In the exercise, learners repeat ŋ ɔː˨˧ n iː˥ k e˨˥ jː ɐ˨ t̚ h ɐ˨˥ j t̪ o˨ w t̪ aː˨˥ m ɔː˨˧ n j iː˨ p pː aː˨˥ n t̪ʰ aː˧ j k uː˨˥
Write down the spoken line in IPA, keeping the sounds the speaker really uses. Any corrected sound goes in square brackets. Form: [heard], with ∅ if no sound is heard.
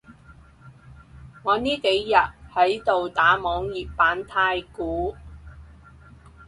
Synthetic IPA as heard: ŋ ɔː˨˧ n iː˥ k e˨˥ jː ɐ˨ t̚ h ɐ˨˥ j t̪ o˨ w t̪ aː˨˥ m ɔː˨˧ [ŋ] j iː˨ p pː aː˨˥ n t̪ʰ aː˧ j k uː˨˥